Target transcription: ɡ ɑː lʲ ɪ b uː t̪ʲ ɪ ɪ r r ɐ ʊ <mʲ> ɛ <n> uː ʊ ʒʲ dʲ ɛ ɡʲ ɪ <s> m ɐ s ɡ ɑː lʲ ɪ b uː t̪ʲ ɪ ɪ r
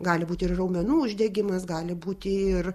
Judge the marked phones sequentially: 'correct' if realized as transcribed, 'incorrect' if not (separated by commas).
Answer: correct, correct, incorrect